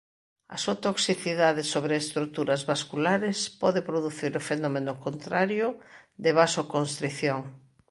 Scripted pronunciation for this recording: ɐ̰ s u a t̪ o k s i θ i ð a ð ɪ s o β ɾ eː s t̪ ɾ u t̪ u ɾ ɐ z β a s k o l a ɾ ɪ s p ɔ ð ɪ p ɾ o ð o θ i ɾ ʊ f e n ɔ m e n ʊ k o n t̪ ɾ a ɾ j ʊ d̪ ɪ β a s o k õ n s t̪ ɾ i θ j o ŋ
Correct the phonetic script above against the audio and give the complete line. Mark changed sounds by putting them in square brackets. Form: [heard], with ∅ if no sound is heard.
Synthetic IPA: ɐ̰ s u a t̪ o k s i θ i ð a ð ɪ s o β ɾ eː s t̪ ɾ u t̪ u ɾ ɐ z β a s k [u] l a ɾ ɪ s p ɔ ð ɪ p ɾ o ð [u] θ i ɾ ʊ f e n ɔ m e n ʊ k o n t̪ ɾ a ɾ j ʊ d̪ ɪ β a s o k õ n s t̪ ɾ i θ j o ŋ